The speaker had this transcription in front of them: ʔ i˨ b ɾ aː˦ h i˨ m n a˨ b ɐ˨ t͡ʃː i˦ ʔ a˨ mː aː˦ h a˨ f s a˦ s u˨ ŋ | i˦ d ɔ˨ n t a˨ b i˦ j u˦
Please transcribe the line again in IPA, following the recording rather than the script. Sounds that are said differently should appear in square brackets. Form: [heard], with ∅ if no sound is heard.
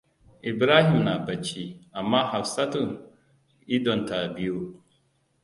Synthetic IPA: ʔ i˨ b ɾ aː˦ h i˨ m n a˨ b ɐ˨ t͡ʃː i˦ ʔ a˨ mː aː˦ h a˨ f s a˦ [t] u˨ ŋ | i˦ d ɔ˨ n t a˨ b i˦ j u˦